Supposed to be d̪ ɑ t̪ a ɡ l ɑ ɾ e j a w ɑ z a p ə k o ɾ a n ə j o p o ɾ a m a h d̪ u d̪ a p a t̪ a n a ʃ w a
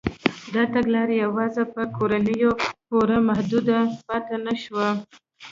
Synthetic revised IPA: d̪ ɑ t̪ a ɡ l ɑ ɾ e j a w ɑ z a p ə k o ɾ a n ə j o p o ɾ a m a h d̪ u d̪ a p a t̪ a n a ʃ w a